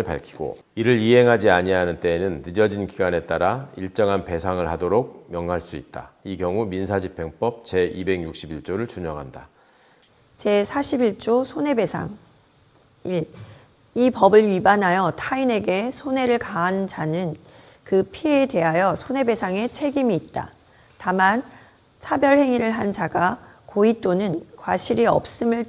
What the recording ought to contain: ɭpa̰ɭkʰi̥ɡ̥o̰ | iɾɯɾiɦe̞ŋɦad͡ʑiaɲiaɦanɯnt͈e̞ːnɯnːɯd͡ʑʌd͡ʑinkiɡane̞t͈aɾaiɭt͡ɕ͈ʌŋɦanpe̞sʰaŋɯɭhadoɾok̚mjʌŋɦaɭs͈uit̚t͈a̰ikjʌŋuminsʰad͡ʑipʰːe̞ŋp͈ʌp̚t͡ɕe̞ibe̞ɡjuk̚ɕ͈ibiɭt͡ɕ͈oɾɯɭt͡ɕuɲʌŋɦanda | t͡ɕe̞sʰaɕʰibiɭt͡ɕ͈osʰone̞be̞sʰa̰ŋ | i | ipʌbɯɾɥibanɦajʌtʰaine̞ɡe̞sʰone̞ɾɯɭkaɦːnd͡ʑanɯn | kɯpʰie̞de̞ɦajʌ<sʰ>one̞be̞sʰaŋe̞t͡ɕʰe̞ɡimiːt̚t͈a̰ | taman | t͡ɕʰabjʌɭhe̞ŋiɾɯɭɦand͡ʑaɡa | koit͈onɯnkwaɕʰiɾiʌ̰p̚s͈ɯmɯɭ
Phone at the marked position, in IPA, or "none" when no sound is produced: sʰ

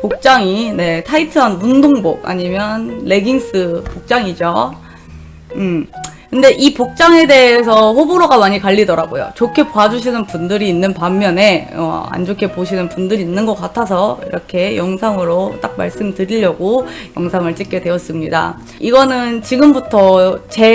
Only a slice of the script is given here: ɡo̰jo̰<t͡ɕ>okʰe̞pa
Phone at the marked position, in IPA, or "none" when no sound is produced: t͡ɕ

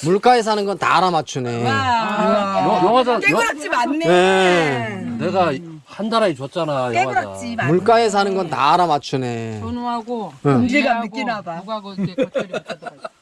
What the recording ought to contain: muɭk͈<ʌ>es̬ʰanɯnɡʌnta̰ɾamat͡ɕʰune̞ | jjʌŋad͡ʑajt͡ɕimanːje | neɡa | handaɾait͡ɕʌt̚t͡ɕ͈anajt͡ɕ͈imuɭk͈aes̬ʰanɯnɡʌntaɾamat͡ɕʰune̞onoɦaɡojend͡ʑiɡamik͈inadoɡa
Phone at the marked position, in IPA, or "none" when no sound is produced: a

